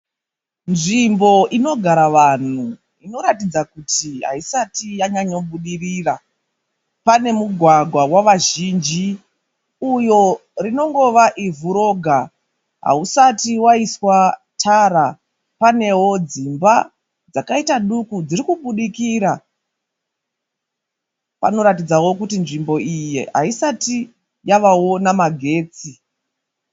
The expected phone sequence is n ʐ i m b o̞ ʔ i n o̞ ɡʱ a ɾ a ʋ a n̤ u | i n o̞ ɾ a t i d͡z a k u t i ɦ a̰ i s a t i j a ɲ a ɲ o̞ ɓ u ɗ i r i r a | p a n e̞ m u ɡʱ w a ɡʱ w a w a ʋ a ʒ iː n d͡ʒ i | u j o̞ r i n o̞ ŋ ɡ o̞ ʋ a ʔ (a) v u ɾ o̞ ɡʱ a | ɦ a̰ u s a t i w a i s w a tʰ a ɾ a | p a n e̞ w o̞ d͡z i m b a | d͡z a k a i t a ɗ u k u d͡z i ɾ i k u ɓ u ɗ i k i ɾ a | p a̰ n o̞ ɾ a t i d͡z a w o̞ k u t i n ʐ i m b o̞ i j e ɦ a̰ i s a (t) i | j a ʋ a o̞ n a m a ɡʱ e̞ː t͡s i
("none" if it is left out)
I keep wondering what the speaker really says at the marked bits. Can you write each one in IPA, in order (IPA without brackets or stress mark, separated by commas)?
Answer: i, t